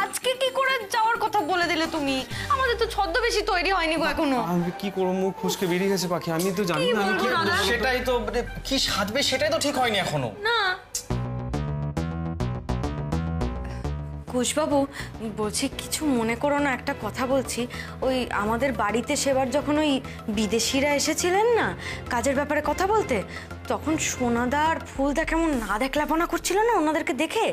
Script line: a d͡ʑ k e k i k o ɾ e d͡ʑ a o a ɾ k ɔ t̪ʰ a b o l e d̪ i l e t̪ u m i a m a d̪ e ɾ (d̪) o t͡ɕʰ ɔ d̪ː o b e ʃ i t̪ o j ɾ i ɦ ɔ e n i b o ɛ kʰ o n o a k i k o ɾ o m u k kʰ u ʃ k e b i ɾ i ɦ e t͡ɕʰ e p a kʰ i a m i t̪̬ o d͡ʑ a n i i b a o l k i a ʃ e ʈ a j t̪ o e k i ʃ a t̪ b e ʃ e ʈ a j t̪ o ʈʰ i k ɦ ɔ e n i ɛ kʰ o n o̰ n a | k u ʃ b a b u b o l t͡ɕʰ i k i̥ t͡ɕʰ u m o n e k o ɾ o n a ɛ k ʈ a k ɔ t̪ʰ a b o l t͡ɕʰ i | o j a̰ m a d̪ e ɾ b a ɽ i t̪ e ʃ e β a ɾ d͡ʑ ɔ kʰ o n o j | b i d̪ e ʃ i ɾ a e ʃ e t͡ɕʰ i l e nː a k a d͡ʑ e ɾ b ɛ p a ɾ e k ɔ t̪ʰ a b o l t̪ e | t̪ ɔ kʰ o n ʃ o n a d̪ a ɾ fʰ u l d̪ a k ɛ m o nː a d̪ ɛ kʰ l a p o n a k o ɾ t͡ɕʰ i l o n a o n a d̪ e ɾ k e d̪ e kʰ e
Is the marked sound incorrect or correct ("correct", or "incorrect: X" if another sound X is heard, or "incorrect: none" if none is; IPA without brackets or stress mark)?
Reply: incorrect: t̪